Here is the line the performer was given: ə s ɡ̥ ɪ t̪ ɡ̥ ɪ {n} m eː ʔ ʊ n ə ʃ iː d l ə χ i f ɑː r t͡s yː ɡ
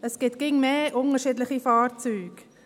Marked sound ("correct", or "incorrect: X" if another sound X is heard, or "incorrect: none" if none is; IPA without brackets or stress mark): incorrect: ŋ